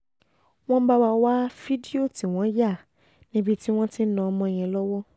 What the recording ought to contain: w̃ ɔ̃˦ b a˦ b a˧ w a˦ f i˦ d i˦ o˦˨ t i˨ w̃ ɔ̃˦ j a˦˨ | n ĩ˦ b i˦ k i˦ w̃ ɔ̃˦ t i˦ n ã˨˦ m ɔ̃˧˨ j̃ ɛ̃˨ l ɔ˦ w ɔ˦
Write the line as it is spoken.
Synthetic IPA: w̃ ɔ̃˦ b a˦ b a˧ w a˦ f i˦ d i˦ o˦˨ t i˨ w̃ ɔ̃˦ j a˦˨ | n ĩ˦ b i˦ t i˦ w̃ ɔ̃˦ t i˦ n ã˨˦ m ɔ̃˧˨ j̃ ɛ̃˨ l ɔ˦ w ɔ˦